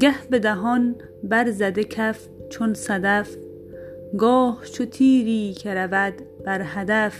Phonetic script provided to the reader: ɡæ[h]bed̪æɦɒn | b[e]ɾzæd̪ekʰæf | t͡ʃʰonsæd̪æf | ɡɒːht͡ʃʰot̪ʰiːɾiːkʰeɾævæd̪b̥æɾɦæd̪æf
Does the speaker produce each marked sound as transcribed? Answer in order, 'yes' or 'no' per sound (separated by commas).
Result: yes, no